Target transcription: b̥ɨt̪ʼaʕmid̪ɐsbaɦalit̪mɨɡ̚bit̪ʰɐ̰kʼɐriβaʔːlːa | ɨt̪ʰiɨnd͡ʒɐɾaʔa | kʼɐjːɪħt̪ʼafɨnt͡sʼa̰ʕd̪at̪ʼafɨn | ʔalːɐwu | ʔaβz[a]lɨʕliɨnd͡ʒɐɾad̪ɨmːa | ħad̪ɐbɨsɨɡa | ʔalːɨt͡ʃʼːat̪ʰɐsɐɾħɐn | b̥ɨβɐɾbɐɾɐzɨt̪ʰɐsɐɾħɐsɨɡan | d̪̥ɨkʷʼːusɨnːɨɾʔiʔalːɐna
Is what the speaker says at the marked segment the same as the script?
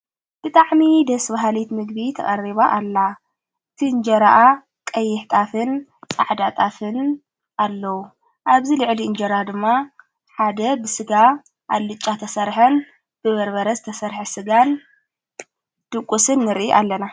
no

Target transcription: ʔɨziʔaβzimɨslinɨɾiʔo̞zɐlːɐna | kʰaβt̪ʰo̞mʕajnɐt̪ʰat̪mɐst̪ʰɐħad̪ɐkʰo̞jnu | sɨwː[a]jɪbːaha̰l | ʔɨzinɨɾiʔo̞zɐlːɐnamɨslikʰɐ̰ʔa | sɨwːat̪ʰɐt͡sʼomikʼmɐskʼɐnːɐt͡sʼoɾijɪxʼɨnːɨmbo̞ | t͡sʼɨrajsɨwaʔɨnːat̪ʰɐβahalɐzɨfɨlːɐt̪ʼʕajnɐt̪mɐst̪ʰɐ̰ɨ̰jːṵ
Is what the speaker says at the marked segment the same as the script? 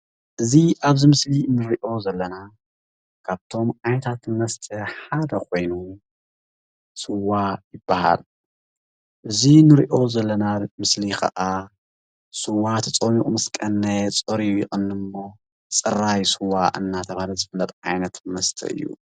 yes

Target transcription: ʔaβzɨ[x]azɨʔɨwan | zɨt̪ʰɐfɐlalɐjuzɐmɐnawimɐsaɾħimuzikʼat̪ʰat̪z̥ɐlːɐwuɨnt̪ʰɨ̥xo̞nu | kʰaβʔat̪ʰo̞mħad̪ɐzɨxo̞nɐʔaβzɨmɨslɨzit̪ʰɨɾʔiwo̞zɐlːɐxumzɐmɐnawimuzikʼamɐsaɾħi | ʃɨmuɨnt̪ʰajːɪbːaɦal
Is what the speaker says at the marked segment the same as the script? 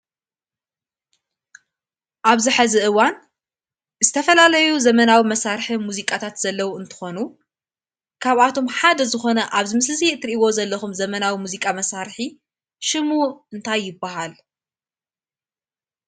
no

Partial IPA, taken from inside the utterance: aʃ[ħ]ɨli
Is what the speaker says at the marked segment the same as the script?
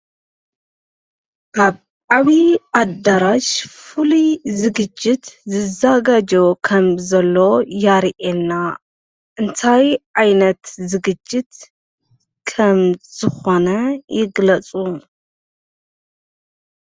no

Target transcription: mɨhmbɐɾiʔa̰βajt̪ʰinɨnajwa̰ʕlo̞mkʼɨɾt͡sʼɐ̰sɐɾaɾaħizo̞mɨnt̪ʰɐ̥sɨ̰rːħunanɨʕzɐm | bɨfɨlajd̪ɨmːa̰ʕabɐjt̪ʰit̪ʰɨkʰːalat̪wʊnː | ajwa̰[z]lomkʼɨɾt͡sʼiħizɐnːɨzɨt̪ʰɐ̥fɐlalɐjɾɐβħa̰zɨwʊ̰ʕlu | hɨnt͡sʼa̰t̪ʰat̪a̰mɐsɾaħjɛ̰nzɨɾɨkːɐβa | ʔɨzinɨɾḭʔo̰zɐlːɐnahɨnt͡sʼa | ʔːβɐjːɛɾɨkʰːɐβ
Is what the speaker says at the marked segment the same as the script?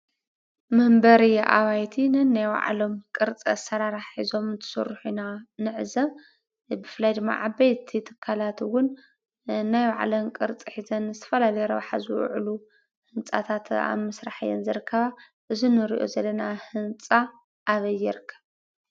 no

